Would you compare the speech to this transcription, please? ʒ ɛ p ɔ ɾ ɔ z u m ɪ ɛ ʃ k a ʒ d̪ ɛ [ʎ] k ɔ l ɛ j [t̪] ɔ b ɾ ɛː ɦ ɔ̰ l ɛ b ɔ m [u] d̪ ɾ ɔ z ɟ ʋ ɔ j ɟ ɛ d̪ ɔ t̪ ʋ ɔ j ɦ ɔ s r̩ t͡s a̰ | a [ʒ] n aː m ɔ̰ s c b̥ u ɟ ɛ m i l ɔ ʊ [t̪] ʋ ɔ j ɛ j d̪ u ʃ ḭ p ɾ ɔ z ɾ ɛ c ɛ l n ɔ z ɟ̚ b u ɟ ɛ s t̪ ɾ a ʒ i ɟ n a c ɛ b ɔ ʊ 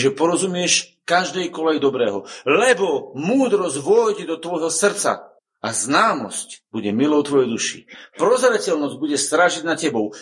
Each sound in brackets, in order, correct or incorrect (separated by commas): incorrect, incorrect, incorrect, incorrect, correct